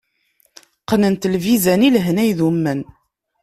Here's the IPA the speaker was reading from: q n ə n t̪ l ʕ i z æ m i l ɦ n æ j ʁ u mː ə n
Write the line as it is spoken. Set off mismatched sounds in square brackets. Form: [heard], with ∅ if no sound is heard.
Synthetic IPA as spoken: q n ə n t̪ l [v] i z æ [n] i l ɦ n æ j [ð] u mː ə n